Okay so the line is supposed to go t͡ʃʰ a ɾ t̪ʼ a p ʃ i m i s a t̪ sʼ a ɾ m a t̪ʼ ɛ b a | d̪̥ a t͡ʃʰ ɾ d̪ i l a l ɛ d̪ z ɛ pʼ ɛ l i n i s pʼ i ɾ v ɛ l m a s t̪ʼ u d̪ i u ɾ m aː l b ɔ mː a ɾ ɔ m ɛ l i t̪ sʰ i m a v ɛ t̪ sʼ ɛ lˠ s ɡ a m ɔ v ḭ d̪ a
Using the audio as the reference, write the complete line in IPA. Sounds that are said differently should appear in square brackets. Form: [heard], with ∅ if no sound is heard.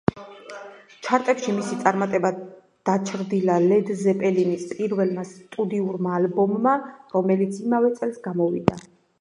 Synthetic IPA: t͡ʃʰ a ɾ t̪ʼ [ɛ] p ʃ i m i s [i] t̪ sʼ a ɾ m a t̪ʼ ɛ b a | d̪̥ a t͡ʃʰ ɾ d̪ i l a l ɛ d̪ z ɛ pʼ ɛ l i n i s pʼ i ɾ v ɛ l m a s t̪ʼ u d̪ i u ɾ m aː l b ɔ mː a ɾ ɔ m ɛ l i t̪ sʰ i m a v ɛ t̪ sʼ ɛ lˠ s ɡ a m ɔ v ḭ d̪ a